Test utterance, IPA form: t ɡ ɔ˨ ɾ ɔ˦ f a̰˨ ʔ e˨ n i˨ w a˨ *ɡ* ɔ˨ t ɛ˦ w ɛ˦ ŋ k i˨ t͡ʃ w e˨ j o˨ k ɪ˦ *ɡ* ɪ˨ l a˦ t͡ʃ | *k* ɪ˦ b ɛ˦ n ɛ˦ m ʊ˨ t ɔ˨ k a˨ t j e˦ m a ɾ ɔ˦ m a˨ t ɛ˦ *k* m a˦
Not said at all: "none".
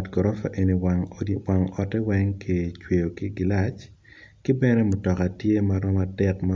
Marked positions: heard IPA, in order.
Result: ŋ, ɡ, k, k

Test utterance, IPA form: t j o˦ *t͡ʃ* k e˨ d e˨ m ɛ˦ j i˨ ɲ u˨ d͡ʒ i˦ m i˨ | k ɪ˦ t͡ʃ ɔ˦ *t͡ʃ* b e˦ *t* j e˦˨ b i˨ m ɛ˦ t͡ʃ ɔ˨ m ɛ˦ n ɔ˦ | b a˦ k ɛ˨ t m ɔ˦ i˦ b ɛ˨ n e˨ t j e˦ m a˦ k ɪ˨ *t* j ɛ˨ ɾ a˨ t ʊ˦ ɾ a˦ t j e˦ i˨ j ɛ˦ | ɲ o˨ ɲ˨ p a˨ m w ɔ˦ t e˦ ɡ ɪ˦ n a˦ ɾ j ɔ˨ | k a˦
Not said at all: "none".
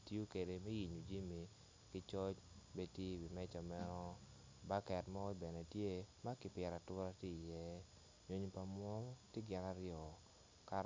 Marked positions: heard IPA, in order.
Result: none, t͡ʃ, t, p

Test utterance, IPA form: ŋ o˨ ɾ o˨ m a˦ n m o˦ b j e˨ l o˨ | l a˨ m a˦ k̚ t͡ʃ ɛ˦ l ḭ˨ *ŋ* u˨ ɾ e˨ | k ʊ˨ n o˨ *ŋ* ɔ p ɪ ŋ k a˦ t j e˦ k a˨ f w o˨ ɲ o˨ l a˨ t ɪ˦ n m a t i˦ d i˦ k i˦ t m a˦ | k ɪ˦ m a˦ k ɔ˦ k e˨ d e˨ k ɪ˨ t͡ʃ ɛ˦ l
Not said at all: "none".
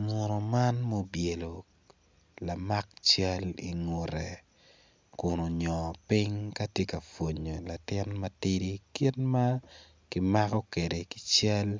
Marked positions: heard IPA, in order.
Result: ŋ, ɲ

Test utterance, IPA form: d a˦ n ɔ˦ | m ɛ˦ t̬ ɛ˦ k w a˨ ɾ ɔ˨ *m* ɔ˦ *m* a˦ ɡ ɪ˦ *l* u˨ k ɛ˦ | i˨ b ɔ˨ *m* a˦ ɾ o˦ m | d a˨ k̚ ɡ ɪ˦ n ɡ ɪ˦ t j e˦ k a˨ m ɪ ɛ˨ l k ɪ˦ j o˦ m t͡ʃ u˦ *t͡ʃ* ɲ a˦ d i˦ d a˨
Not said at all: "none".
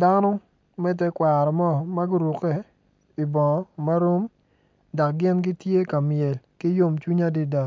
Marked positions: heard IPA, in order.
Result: m, m, ɾ, m, none

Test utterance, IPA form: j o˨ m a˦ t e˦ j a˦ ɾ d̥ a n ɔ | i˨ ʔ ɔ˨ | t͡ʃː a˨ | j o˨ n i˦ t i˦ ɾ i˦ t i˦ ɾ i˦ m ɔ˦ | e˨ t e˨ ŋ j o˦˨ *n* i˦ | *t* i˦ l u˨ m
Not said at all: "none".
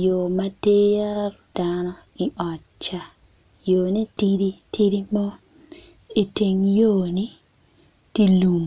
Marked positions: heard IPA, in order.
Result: n, t

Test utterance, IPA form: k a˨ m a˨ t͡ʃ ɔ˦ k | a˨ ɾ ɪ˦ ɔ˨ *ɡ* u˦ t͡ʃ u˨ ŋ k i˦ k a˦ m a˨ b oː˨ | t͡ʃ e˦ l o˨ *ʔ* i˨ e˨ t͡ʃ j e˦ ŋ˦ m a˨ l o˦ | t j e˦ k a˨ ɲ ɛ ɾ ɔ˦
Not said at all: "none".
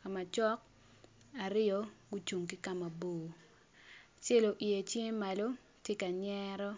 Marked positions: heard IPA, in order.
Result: ɡ, ʔ

